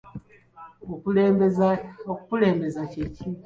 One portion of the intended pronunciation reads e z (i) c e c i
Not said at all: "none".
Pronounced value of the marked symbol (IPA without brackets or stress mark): a